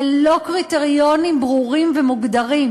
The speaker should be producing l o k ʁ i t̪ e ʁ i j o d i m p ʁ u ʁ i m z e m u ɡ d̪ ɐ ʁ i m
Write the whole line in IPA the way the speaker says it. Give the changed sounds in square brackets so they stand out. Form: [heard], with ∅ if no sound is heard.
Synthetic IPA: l o k ʁ i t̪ e ʁ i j o [n] i m [b] ʁ u ʁ i m [v] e m u ɡ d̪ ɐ ʁ i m

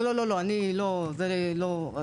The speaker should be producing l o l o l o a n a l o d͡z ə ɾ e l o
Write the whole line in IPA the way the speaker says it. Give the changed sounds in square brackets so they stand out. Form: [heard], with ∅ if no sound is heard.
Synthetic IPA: l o l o l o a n [i] l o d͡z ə ɾ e l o

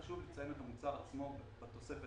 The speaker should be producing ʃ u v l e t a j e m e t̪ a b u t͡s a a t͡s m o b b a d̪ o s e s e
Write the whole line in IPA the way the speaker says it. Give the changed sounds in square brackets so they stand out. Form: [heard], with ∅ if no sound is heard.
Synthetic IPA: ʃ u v l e [t͡s] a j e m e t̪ a [m] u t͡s a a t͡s m o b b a [t̪] o s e [f] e

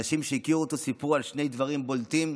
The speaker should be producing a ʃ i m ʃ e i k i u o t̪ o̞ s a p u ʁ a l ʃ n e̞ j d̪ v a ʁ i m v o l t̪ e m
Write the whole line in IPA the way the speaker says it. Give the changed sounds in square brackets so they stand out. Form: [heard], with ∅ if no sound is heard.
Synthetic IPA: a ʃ i m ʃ e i k i u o t̪ o̞ s [i] p u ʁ a l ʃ n e̞ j d̪ v a ʁ i m [b] o l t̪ [i] m

